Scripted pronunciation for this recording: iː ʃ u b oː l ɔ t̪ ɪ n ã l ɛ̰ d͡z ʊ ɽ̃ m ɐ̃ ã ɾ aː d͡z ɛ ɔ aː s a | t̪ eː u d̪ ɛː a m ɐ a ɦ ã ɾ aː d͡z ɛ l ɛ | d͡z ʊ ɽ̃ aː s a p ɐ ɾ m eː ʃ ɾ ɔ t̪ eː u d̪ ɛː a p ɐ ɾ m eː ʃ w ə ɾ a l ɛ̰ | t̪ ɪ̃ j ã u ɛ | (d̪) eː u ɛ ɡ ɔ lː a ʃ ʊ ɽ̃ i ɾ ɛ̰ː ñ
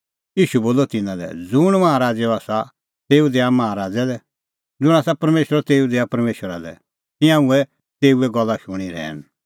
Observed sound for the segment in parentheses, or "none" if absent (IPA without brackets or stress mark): t̪